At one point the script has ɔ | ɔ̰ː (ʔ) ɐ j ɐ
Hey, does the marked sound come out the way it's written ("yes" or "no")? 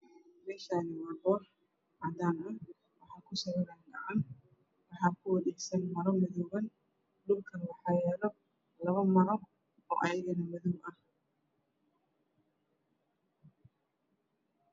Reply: yes